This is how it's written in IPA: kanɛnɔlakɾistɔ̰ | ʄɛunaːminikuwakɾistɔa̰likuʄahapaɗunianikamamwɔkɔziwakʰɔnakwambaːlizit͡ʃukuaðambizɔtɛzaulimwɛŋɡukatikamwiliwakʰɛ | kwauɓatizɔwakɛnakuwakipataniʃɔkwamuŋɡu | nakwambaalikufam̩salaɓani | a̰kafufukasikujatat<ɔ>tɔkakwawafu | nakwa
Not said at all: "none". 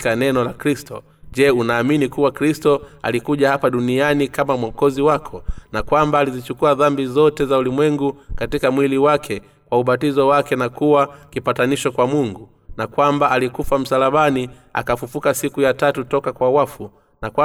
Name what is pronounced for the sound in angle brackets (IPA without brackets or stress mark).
u